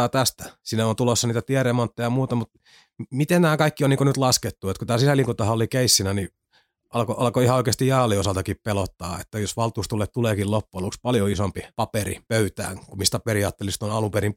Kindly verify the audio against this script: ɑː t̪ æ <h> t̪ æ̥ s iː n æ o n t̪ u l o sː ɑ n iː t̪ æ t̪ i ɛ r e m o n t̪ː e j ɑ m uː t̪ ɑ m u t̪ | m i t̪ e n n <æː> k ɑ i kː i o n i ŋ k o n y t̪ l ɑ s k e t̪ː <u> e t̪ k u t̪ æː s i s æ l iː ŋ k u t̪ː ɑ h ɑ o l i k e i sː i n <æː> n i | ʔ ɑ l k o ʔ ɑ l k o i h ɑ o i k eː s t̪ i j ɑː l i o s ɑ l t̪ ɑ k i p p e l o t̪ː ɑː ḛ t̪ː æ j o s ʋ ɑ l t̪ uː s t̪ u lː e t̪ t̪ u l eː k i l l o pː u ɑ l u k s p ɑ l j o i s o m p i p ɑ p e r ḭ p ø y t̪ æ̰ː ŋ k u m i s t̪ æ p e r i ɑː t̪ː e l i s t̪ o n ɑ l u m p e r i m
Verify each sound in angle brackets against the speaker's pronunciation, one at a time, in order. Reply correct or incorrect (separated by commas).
incorrect, correct, correct, incorrect